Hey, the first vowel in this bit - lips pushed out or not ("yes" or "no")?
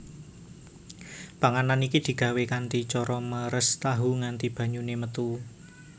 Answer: no